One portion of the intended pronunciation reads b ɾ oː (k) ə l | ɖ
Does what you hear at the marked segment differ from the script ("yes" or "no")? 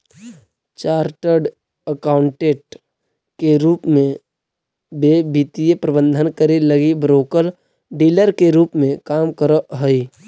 no